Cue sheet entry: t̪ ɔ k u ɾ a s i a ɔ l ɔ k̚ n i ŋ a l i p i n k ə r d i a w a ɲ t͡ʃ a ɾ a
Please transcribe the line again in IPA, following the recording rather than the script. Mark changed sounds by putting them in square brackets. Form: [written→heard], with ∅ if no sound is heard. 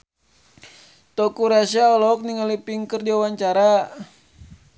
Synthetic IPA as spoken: t̪ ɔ k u ɾ a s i a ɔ l ɔ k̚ n i ŋ a l i p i [n→ŋ] k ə r d i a w a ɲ t͡ʃ a ɾ a